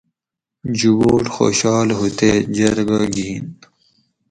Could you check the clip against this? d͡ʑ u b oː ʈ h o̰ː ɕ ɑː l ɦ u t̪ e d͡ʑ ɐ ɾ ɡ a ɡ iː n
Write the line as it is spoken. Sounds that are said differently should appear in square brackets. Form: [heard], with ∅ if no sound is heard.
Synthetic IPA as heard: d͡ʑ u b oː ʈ [x] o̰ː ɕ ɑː l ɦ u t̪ e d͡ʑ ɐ ɾ ɡ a ɡ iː n